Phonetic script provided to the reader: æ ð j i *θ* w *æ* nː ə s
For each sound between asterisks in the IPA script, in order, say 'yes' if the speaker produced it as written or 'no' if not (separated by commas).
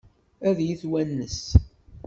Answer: yes, yes